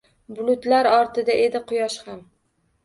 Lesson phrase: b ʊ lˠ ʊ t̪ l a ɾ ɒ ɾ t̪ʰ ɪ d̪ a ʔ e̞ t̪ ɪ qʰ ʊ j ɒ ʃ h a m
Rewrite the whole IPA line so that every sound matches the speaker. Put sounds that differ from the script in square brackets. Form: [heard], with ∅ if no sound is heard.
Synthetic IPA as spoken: b ʊ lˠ ʊ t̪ l a ɾ ɒ ɾ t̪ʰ ɪ d̪ a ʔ e̞ [d̪] ɪ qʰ ʊ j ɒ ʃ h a m